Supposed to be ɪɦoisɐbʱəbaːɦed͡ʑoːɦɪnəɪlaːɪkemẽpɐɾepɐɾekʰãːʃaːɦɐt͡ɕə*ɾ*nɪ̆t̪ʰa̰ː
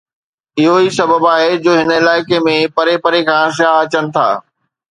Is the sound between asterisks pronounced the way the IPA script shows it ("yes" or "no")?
no